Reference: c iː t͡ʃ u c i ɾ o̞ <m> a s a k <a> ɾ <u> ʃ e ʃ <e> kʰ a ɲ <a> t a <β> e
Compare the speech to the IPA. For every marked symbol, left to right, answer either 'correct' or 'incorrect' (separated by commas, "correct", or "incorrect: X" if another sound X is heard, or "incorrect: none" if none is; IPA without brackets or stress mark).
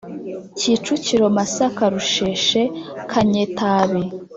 correct, correct, correct, correct, incorrect: e, correct